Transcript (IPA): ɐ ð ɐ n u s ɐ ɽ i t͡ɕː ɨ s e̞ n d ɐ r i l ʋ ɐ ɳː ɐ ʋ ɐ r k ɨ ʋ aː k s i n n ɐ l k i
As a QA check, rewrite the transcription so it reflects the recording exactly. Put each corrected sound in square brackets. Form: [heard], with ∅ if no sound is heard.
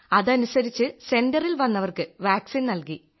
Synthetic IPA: ɐ ð ɐ n u s ɐ [ɾ] i t͡ɕː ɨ s e̞ n d ɐ r i l ʋ ɐ [nː] ɐ ʋ ɐ r k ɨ ʋ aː k s i n n ɐ l k i